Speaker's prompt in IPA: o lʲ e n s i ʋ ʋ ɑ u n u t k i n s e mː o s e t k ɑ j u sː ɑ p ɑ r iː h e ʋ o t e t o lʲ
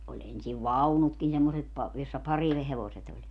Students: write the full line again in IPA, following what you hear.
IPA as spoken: o lʲ e n s i ʋ ʋ ɑ u n u t k i n s e mː o s e t p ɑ j o sː ɑ p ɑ r i h e ʋ o s e t o lʲ